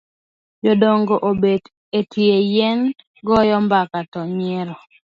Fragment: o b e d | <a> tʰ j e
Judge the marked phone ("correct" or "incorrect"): incorrect